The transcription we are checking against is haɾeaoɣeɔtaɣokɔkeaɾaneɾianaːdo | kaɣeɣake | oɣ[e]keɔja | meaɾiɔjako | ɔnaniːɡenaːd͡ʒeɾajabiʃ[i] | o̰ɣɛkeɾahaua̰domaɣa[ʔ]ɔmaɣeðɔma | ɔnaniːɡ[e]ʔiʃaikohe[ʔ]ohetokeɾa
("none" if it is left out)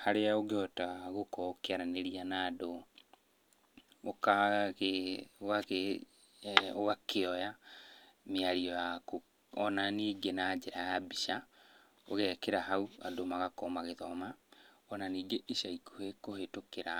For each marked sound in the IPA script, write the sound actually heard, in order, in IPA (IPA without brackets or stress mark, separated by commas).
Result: a, a, k, e, k